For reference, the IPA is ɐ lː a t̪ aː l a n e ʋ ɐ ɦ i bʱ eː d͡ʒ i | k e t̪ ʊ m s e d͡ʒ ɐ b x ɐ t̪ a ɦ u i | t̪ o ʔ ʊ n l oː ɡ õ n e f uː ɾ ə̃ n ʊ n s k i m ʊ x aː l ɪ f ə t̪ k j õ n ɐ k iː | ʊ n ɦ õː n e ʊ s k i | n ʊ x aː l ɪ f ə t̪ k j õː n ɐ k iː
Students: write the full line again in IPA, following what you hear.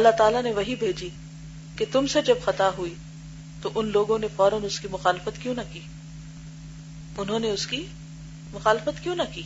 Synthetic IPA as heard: ɐ lː a t̪ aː l a n e ʋ ɐ ɦ i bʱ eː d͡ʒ i | k e t̪ ʊ m s e d͡ʒ ɐ b x ɐ t̪ a ɦ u i | t̪ o ʔ ʊ n l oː ɡ õ n e f ɔː ɾ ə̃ n ʊ s k i m ʊ x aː l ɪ f ə t̪ k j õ n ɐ k iː | ʊ n ɦ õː n e ʊ s k i | m ʊ x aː l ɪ f ə t̪ k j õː n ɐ k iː